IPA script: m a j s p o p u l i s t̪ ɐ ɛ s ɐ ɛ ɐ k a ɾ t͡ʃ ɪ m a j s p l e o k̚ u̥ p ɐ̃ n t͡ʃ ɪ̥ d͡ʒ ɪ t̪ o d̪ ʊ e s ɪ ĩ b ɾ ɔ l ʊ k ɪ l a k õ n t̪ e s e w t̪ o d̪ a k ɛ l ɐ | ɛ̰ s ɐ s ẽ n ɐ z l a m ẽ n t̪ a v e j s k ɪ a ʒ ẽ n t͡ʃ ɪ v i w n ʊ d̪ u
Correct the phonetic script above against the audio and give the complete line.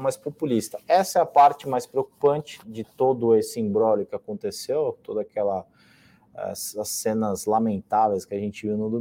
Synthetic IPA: m a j s p o p u l i s t̪ ɐ ɛ s ɐ ɛ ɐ p a ɾ t͡ʃ ɪ m a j s p ɾ e o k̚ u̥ p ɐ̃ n t͡ʃ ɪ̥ d͡ʒ ɪ t̪ o d̪ ʊ e s ɪ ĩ b ɾ ɔ l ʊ k ɪ a k õ n t̪ e s e w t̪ o d̪ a k ɛ l ɐ | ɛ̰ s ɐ s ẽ n ɐ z l a m ẽ n t̪ a v e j s k ɪ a ʒ ẽ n t͡ʃ ɪ v i w n ʊ d̪ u